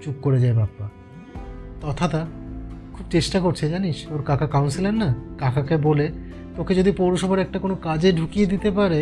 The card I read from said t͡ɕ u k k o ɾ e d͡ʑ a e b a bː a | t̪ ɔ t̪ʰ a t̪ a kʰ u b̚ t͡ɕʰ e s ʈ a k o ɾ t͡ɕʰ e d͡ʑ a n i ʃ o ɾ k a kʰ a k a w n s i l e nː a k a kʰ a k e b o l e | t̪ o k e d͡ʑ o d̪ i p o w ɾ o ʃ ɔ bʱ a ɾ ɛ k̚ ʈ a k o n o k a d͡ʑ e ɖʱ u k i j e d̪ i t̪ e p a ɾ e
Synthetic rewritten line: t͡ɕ u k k o ɾ e d͡ʑ a e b a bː a | t̪ ɔ t̪ʰ a t̪ a kʰ u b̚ t͡ɕ e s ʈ a k o ɾ t͡ɕʰ e d͡ʑ a n i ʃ o ɾ k a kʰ a k a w n s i l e nː a k a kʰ a k e b o l e | t̪ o k e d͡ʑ o d̪ i p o w ɾ o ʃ ɔ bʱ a ɾ ɛ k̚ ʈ a k o n o k a d͡ʑ e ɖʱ u k i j e d̪ i t̪ e p a ɾ e